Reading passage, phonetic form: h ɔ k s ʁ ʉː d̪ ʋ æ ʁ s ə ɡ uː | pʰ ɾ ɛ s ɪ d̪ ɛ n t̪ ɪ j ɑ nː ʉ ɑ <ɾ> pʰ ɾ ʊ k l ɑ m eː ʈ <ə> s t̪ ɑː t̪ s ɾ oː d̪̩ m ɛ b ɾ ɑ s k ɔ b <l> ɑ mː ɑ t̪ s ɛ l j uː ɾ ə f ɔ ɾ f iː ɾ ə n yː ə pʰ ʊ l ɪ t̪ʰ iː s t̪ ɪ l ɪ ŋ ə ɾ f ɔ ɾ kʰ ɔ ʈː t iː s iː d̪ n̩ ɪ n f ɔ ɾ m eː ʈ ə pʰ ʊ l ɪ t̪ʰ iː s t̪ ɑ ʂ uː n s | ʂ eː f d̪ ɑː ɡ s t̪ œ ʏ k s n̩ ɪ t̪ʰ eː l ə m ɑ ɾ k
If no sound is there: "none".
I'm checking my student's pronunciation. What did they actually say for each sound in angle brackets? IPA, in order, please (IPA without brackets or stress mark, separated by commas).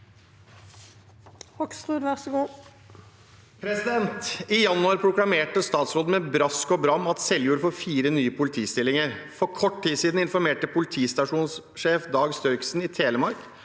ɾ, ə, ɾ